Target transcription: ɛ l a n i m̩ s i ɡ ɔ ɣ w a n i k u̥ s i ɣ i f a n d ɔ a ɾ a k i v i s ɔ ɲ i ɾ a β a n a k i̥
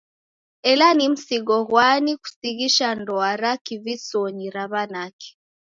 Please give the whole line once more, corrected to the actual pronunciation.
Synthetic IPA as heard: ɛ l a n i m̩ s i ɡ ɔ ɣ w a n i k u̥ s i ɣ i ʃ a n d ɔ a ɾ a k i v i s ɔ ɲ i ɾ a β a n a k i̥